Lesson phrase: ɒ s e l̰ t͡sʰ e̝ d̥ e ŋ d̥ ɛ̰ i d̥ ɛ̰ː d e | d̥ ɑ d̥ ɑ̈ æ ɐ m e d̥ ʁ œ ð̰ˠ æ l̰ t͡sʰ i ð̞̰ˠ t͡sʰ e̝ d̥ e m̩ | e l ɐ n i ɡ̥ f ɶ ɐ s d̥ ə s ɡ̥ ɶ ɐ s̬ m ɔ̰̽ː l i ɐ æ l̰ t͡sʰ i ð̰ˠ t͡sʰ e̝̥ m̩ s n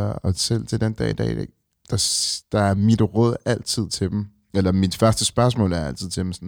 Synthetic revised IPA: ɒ s e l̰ t͡sʰ e̝ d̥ e n d̥ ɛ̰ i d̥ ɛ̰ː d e | d̥ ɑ d̥ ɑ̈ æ ɐ m i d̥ ʁ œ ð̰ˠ æ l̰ t͡sʰ i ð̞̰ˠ t͡sʰ e̝ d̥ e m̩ | e l ɐ m i d̥ f ɶ ɐ s d̥ ə s b̥ ɶ ɐ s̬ m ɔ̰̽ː l æ ɐ æ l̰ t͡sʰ i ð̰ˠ t͡sʰ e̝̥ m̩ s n